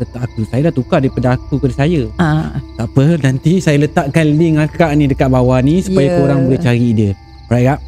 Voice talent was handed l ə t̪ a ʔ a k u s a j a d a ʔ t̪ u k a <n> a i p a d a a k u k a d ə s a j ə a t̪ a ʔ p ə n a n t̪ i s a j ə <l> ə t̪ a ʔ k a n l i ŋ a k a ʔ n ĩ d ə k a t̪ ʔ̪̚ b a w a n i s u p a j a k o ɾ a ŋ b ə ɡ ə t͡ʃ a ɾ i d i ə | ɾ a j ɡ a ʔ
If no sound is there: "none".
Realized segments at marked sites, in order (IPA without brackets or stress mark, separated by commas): d, l